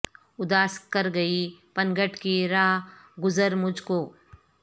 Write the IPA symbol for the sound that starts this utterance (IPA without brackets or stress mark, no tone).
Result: ʊ